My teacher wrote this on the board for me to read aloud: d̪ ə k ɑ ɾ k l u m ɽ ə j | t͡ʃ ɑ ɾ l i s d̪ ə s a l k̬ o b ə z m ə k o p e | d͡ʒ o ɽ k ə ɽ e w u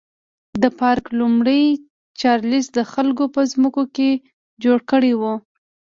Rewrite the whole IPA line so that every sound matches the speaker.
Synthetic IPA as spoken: d̪ ə p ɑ ɾ k l u m ɽ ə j | t͡ʃ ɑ ɾ l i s d̪ ə x a l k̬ o p ə z m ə k o k e | d͡ʒ o ɽ k ə ɽ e w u